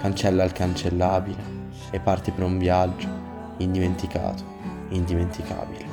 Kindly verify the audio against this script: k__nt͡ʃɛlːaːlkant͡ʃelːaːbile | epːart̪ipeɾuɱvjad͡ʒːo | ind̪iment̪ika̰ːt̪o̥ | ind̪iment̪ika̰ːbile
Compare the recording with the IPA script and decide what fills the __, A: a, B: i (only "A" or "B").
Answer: A